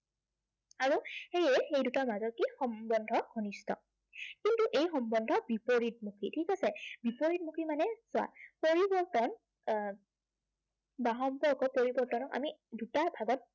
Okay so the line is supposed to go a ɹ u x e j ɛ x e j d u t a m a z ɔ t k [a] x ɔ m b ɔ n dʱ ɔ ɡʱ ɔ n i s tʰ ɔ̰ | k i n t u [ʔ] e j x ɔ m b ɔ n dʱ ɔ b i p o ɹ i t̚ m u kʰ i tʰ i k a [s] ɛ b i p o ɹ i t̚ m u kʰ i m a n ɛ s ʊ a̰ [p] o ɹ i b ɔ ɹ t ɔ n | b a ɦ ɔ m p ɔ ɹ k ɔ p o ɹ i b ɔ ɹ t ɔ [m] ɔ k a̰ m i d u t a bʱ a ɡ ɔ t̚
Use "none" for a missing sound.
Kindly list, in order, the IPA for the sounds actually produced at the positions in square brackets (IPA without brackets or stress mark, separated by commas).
i, ʔ, s, p, n